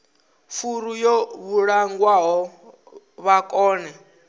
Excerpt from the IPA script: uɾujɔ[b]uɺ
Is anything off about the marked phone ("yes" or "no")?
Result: yes